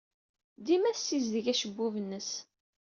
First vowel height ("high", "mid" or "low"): high